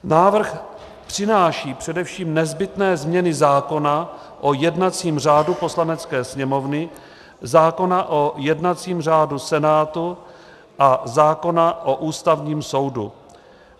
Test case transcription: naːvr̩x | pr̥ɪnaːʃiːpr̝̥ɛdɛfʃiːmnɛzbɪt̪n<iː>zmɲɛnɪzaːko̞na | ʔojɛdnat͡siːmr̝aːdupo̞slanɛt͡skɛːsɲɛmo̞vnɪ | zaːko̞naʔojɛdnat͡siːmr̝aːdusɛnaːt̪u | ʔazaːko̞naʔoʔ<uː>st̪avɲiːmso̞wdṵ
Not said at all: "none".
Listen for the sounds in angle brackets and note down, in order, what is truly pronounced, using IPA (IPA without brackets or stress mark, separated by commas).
ɛː, uː